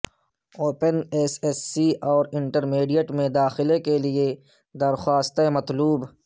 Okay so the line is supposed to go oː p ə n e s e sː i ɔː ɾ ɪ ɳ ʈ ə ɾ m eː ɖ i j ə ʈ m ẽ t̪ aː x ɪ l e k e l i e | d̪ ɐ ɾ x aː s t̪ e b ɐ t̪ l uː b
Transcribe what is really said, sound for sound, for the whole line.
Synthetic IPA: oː p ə n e s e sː i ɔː ɾ ɪ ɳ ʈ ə ɾ m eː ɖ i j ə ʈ m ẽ d̪ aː x ɪ l e k e l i e | d̪ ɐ ɾ x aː s t̪ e m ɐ t̪ l uː b